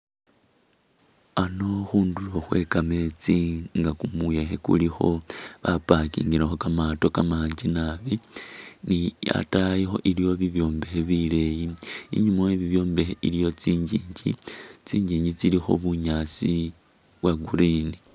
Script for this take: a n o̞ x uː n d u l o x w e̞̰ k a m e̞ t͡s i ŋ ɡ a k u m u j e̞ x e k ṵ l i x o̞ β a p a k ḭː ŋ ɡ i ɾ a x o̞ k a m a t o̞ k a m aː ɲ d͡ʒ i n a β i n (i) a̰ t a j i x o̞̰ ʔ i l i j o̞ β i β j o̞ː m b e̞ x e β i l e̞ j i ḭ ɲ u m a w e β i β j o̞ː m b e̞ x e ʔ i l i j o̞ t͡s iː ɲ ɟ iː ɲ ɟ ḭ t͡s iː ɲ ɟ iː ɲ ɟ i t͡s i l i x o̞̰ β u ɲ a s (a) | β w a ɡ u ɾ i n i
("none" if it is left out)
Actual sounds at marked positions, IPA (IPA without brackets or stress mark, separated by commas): i, i